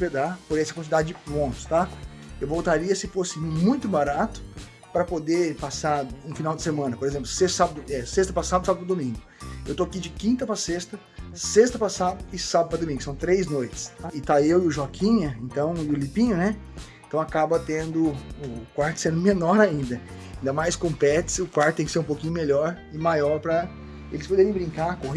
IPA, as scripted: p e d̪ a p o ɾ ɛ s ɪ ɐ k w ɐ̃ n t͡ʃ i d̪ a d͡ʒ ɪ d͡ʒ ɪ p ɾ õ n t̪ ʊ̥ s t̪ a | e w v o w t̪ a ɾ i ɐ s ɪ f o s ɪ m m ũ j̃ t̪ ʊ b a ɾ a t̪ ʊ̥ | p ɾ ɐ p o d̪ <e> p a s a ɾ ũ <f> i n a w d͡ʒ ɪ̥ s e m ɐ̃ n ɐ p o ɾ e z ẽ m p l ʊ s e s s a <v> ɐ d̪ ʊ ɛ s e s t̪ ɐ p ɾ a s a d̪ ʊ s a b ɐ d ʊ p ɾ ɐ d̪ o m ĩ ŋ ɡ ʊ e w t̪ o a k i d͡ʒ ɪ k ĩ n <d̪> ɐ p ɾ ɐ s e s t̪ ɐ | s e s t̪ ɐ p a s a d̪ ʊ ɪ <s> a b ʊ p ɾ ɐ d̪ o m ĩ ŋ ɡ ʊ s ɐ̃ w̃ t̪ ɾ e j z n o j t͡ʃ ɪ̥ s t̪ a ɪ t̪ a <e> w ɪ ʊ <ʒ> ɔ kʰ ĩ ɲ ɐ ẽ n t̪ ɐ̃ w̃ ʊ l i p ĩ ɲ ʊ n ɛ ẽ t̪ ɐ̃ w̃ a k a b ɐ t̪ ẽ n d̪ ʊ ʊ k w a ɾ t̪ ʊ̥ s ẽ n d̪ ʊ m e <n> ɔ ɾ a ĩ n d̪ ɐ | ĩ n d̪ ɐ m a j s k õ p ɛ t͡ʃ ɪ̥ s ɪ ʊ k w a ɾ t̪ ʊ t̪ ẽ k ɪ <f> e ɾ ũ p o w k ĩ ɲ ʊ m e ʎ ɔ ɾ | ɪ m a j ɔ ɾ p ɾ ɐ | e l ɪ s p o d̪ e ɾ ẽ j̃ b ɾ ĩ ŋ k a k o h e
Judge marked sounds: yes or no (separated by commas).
yes, yes, no, no, yes, yes, yes, yes, no